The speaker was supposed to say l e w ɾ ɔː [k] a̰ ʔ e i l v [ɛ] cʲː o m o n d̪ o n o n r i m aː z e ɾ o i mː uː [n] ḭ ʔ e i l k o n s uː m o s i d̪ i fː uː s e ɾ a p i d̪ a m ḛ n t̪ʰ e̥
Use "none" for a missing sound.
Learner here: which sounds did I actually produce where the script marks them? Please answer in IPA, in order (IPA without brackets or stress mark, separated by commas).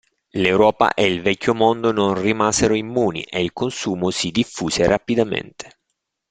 p, ɛ, n